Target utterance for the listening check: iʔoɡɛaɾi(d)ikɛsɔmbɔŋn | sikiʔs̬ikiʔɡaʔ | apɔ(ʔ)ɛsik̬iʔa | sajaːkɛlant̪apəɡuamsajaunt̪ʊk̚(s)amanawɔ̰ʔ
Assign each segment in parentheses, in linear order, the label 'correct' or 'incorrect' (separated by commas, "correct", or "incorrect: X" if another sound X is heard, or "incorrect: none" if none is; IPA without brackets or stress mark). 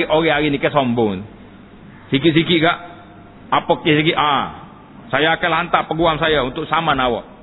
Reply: incorrect: n, incorrect: k, correct